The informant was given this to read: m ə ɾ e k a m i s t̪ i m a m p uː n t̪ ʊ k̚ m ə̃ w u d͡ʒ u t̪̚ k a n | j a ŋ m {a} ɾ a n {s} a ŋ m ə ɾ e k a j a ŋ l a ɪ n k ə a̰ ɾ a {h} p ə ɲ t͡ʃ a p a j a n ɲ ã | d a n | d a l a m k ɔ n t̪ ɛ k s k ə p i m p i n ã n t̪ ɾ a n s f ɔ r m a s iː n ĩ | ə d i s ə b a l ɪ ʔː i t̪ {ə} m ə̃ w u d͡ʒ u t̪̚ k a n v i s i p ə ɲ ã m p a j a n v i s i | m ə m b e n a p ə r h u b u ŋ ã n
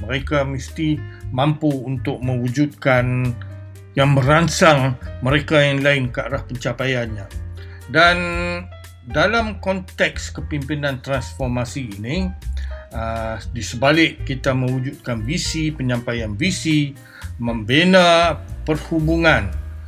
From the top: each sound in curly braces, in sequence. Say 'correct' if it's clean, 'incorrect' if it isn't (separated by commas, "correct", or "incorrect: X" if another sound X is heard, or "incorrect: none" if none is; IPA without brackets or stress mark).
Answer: incorrect: ə, correct, correct, incorrect: a